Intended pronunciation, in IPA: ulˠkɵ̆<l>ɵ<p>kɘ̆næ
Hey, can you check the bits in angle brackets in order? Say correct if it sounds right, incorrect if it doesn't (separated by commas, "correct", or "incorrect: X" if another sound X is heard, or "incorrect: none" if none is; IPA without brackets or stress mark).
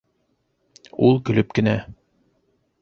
correct, correct